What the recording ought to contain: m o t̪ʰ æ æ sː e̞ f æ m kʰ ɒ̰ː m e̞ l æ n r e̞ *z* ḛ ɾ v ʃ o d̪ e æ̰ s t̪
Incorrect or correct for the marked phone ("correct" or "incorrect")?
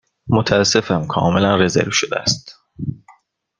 correct